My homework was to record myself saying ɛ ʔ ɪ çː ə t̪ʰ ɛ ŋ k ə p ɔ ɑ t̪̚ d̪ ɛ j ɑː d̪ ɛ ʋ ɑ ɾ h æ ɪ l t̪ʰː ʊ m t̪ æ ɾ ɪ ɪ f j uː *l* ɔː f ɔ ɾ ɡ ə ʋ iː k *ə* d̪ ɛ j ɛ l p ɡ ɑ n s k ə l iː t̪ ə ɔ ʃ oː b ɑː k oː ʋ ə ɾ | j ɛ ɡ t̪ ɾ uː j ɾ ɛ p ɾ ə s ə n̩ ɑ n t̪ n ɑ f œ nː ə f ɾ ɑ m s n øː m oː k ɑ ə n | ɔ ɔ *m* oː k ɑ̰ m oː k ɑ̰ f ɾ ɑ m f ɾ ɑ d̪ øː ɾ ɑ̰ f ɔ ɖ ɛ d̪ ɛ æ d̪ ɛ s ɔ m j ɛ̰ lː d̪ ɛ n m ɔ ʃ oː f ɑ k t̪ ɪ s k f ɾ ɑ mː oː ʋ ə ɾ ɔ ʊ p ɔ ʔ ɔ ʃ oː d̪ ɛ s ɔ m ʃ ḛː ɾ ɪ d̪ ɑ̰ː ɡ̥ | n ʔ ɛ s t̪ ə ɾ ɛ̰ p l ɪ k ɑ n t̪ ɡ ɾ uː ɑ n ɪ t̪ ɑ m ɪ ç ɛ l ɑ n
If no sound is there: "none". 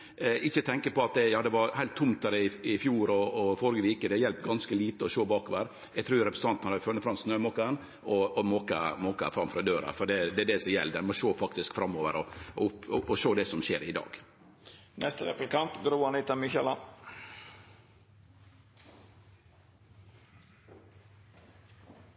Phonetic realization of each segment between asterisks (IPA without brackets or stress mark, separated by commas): ɾ, ə, m